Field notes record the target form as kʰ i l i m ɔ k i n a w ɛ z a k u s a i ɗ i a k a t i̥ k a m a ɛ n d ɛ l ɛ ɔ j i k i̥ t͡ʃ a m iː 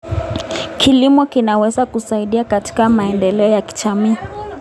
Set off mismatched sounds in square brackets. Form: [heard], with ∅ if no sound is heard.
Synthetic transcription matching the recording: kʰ i l i m ɔ k i n a w ɛ z a k u s a i ɗ i a k a t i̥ k a m a ɛ n d ɛ l ɛ ɔ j [a] k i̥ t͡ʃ a m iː

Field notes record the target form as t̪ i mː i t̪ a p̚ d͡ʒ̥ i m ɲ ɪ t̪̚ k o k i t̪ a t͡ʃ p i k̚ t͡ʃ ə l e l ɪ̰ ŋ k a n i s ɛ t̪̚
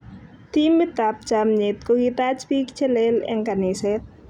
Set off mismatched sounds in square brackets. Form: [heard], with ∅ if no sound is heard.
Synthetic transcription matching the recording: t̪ i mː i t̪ a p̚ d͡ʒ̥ [a] m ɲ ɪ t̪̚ k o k i t̪ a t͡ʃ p i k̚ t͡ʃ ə l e l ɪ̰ ŋ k a n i s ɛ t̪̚

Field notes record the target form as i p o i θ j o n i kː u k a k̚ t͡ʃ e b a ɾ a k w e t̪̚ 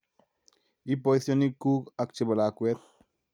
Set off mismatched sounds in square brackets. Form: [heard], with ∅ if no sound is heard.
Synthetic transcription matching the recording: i p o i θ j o n i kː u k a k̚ t͡ʃ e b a [l] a k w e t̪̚

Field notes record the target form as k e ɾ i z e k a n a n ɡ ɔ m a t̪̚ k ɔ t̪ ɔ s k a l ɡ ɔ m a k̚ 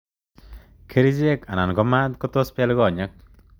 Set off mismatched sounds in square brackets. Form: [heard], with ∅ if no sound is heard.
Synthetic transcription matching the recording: [kʰ] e ɾ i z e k a n a n ɡ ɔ m a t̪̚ k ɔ t̪ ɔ s [p] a l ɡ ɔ [ɲ] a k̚

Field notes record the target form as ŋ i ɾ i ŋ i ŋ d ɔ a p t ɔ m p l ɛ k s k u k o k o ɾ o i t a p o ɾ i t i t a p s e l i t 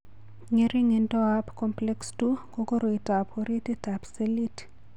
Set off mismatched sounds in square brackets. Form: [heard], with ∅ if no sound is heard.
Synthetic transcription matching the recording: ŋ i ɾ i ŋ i [n] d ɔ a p [k] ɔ m p l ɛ k s [t] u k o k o ɾ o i t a p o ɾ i t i t a p s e l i t

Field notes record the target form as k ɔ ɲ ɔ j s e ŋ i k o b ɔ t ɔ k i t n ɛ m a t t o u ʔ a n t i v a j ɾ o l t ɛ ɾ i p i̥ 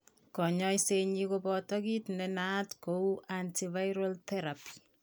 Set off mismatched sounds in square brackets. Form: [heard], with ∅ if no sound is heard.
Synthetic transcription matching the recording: k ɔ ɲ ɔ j s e [ɲ] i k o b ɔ t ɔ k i t n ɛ [n] a t [k] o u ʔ a n t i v a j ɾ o l t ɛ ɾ [a] p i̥

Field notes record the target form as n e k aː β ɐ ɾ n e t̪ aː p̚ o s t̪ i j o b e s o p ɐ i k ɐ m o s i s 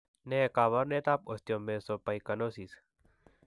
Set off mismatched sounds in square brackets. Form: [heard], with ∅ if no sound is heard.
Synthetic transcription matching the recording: n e k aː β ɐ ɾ n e t̪ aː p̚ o s t̪ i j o [m] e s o p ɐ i k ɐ [n] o s i s

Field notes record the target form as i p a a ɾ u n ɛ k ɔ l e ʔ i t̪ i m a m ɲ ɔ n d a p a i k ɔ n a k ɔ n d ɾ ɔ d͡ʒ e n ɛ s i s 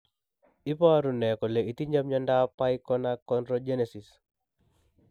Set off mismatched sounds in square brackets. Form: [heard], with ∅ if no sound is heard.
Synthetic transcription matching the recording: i p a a ɾ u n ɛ k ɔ l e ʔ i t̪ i [ɲ] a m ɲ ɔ n d a p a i k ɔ n a k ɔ n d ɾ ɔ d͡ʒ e n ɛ s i s

